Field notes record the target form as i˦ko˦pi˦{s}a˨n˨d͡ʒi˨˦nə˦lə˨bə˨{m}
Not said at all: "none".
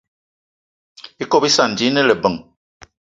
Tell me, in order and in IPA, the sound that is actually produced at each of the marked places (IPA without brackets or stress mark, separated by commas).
s, ŋ